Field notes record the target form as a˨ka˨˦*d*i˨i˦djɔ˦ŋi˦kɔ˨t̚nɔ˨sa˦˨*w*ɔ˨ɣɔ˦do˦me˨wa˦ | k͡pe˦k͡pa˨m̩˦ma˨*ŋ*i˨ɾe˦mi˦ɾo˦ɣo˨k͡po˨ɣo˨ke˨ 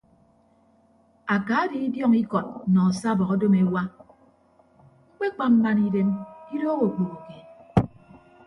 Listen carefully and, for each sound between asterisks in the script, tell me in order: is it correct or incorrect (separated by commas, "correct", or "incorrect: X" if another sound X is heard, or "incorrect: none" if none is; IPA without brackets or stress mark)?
correct, incorrect: b, incorrect: n